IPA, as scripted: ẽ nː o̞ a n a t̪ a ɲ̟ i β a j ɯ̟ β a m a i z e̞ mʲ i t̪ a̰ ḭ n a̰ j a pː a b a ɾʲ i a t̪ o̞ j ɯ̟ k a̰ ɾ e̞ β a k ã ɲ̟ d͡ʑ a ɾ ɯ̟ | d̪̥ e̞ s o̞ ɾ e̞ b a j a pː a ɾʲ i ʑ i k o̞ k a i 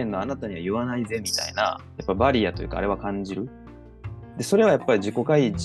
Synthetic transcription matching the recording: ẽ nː o̞ a n a t̪ a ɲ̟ i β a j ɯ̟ β a n a i z e̞ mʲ i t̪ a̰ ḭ n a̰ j a pː a b a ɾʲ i a t̪ o̞ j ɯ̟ k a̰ ɾ e̞ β a k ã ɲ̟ d͡ʑ i ɾ ɯ̟ | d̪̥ e̞ s o̞ ɾ e̞ β a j a pː a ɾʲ i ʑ i k o̞ k a i